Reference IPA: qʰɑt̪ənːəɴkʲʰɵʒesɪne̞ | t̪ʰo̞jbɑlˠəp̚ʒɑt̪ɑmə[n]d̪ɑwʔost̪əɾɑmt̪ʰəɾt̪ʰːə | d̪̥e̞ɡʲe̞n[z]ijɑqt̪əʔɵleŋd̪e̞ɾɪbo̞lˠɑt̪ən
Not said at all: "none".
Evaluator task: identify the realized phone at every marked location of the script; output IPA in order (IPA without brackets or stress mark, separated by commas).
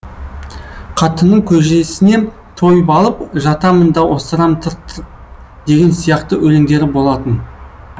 n, s